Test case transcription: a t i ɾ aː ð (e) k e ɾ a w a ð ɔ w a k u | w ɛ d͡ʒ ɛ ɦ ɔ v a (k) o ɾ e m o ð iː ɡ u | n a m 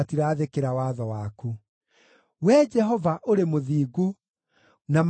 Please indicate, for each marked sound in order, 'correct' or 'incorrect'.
correct, incorrect

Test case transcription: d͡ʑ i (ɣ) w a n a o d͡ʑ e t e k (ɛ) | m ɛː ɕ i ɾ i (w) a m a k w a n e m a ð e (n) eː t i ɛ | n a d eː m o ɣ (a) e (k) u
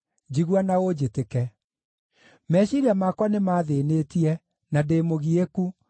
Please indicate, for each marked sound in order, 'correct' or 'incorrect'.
correct, correct, incorrect, correct, incorrect, correct

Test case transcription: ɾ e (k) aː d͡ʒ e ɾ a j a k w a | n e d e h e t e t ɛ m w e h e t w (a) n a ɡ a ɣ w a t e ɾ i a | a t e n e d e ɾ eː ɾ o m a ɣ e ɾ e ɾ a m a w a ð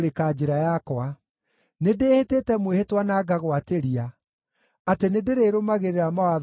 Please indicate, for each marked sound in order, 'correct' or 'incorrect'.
correct, correct

